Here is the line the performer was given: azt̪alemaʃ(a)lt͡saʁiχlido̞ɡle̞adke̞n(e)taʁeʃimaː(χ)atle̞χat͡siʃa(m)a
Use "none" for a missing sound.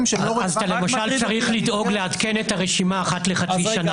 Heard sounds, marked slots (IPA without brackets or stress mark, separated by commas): a, e, χ, n